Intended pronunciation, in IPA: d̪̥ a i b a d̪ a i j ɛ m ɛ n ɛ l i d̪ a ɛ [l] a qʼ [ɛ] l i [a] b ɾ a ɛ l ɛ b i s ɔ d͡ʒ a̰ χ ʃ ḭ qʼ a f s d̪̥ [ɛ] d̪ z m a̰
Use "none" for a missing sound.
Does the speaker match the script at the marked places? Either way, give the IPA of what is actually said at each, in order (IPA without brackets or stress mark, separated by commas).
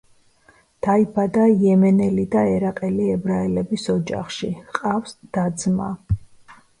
ɾ, ɛ, ɛ, a